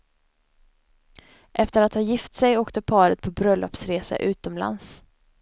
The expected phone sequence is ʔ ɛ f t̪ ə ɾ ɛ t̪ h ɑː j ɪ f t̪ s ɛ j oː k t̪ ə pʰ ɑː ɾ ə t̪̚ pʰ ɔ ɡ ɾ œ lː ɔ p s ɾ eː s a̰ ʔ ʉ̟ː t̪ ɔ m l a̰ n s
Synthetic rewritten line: ʔ ɛ f t̪ ə ɾ a t̪ h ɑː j ɪ f t̪ s ɛ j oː k t̪ ə pʰ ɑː ɾ ə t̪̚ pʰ ɔ b ɾ œ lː ɔ p s ɾ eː s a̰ ʔ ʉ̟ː t̪ ɔ m l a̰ n s

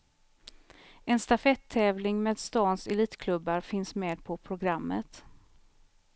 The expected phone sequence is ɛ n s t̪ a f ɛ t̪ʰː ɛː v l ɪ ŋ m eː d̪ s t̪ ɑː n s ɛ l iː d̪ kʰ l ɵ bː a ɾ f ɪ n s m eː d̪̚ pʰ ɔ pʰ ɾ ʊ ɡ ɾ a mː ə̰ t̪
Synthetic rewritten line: ɛ n s t̪ a f ɛ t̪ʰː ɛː v l ɪ ŋ m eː d̪ s t̪ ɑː n s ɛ l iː t̪ kʰ l ɵ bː a ɾ f ɪ n s m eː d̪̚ pʰ ɔ pʰ ɾ ʊ ɡ ɾ a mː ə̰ t̪

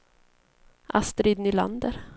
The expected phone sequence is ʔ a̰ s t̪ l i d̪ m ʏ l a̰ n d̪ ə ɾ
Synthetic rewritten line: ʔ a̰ s t̪ ɾ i d̪ n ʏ l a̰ n d̪ ə ɾ

